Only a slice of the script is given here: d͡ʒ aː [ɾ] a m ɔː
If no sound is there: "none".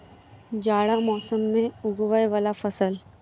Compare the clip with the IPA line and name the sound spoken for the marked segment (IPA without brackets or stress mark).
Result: ɽ